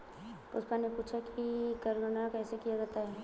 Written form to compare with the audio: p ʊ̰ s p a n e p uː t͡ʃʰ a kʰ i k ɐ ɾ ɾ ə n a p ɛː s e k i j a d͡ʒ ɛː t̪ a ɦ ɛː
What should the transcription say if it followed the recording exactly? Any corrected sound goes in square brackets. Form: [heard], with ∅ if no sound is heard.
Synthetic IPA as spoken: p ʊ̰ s p a n e p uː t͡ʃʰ a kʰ i k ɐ ɾ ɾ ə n a [k] ɛː s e k i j a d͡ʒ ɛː t̪ a ɦ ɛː